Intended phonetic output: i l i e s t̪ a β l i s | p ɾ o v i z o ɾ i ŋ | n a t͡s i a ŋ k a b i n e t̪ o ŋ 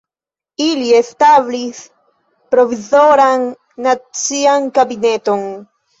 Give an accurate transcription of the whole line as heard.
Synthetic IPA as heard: i l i e s t̪ a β l i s | p ɾ o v i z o ɾ a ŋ | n a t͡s i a ŋ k a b i n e t̪ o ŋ